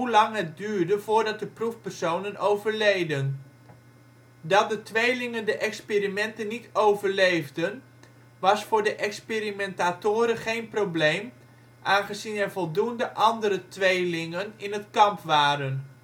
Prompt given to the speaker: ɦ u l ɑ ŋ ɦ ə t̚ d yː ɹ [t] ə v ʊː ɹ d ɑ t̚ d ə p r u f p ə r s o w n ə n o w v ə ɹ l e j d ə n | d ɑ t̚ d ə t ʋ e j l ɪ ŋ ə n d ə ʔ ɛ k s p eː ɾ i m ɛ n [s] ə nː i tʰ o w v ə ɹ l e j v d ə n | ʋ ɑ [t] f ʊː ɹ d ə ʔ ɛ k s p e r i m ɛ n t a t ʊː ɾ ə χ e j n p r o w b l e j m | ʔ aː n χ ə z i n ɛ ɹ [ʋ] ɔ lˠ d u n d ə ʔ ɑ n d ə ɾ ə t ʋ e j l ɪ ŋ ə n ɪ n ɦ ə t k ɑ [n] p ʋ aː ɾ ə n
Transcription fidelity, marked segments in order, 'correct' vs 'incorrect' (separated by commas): incorrect, incorrect, incorrect, incorrect, incorrect